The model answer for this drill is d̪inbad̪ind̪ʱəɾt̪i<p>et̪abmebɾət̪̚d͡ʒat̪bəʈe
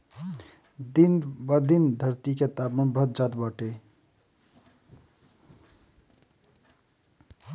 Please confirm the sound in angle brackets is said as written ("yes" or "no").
no